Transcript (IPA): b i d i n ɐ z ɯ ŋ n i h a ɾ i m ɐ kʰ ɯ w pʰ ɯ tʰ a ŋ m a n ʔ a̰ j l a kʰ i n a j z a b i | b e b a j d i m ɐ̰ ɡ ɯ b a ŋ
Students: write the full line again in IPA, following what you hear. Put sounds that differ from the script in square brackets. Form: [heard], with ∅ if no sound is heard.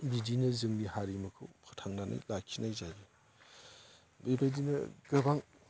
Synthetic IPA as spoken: b i d i n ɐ z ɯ ŋ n i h a ɾ i m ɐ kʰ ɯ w pʰ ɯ tʰ a ŋ [n] a n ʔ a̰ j l a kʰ i n a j z a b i | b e b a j d i [n] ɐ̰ ɡ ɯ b a ŋ